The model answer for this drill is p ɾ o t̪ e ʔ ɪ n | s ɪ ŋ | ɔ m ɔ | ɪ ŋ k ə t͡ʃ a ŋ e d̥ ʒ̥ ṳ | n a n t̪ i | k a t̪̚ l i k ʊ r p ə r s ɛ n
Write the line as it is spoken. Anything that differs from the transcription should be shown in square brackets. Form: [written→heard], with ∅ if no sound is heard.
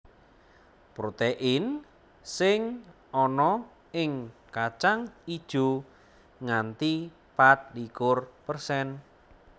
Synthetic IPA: p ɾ o t̪ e ʔ ɪ n | s ɪ ŋ | ɔ [m→n] ɔ | ɪ ŋ k [ə→a] t͡ʃ a ŋ [e→i] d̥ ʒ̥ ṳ | [n→ŋ] a n t̪ i | [k→p] a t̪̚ l i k ʊ r p ə r s ɛ n